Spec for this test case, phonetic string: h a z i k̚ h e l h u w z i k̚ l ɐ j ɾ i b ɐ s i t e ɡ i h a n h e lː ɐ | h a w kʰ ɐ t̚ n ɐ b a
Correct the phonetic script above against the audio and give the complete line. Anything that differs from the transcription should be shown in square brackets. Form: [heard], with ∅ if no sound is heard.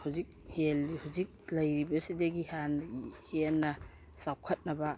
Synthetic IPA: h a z i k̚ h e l h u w z i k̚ l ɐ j ɾ i b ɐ s i [d] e ɡ i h a n h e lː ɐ | [s] a w kʰ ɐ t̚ n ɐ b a